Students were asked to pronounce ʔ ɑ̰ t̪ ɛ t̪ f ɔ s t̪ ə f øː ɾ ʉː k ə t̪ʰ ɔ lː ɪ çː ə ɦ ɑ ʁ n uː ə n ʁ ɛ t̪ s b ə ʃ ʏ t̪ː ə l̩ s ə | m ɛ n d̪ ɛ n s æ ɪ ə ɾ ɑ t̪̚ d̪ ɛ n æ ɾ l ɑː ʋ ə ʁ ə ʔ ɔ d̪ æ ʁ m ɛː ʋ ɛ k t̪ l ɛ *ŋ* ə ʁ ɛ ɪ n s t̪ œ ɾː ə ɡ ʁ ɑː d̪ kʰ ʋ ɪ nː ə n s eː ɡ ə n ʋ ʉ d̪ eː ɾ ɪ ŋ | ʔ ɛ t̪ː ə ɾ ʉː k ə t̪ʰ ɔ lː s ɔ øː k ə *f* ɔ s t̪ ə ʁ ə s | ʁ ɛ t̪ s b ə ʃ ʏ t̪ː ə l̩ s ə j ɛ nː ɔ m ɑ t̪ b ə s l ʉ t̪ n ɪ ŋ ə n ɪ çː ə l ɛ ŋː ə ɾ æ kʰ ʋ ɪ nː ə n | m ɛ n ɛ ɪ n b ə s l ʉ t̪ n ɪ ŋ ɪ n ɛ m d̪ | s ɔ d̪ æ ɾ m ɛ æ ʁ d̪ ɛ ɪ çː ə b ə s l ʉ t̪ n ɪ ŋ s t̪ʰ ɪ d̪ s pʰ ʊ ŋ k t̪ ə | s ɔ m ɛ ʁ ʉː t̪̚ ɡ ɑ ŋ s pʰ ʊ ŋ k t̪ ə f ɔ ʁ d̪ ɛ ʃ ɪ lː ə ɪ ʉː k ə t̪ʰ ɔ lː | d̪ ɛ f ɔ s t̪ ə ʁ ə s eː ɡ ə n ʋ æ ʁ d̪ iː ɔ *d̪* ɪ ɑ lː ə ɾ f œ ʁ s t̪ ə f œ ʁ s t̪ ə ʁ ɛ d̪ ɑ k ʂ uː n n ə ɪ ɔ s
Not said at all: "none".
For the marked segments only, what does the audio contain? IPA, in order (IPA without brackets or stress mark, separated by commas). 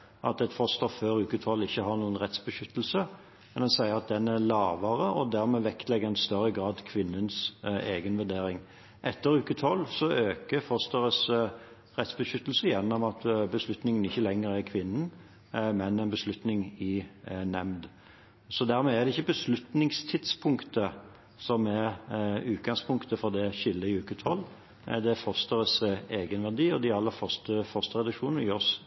ɡ, f, d̪